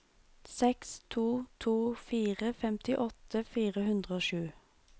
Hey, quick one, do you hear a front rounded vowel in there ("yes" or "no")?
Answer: no